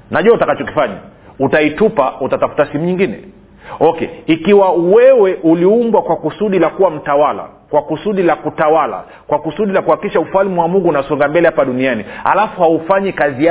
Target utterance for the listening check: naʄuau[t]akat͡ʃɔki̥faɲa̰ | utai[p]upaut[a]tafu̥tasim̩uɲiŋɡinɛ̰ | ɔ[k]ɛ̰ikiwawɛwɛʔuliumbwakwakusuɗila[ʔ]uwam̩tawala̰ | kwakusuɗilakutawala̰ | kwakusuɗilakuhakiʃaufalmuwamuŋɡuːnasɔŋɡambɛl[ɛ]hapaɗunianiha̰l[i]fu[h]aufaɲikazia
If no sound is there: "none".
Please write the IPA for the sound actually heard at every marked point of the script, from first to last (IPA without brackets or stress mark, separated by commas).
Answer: t, t, a, k, k, ɛ, a, h